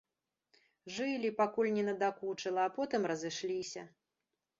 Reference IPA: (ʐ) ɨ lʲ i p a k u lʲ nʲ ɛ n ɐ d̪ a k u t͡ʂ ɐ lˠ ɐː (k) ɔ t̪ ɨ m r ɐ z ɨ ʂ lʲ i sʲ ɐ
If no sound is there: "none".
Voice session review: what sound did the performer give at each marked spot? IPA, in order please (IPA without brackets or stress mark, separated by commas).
ʐ, p